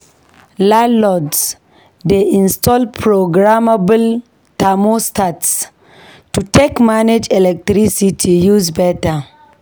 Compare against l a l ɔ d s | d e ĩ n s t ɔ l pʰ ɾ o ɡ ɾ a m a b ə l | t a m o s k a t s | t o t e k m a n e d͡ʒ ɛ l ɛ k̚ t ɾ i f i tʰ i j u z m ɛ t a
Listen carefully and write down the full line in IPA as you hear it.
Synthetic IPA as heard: l a l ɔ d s | d e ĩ n s t ɔ l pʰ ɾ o ɡ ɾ a m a b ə l | t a m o s t a t s | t u t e k m a n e d͡ʒ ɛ l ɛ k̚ t ɾ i s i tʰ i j u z b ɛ t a